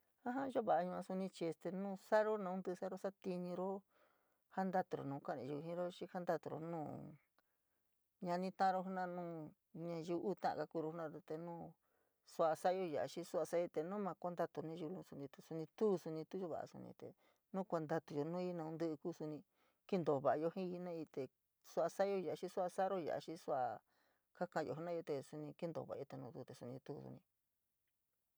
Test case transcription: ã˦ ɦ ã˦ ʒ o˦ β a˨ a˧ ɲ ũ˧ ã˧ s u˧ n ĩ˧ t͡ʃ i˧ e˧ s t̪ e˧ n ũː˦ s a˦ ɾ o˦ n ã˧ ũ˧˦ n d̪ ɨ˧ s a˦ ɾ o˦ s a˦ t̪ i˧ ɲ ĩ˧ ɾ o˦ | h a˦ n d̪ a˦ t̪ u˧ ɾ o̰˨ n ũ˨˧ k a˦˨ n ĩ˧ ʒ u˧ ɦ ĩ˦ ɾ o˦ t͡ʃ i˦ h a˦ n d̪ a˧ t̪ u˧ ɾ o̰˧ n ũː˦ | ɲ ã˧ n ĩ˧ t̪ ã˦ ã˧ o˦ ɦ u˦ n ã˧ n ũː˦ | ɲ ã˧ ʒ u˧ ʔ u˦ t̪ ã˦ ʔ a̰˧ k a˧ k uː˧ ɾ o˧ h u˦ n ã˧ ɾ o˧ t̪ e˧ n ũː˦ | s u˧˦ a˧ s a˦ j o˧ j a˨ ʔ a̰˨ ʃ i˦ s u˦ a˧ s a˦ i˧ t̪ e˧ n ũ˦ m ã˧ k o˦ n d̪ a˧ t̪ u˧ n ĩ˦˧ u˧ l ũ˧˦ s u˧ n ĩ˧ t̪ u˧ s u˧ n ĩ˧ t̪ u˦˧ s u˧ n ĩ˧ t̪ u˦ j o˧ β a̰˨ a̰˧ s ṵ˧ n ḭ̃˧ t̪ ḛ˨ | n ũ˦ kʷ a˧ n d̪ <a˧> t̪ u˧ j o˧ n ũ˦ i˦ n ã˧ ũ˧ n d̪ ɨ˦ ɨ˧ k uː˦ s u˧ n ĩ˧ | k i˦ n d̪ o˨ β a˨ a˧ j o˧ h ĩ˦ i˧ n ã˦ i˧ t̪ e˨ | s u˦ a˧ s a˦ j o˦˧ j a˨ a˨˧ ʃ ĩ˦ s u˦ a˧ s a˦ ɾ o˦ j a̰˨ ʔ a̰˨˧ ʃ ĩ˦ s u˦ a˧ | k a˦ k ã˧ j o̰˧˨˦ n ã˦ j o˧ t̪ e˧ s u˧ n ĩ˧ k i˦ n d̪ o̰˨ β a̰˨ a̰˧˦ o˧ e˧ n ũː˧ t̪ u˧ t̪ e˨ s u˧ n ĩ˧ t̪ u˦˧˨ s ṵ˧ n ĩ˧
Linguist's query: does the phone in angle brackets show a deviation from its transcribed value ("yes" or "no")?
no